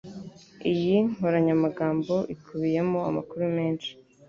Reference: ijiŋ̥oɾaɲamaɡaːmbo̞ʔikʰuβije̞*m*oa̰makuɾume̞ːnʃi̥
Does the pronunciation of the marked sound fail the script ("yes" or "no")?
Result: no